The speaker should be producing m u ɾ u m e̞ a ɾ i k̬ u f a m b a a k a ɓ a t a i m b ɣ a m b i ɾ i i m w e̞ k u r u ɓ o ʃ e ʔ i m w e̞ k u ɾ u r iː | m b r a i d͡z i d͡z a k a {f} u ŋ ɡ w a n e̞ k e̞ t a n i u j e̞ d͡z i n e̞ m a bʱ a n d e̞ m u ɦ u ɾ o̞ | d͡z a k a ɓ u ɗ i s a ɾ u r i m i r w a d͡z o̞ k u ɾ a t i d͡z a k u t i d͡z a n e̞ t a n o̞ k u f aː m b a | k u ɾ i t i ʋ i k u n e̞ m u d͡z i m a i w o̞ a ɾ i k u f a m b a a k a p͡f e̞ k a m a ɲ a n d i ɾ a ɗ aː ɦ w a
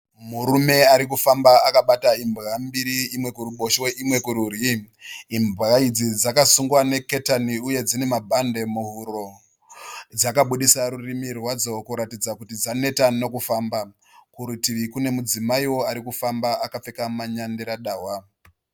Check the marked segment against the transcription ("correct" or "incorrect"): incorrect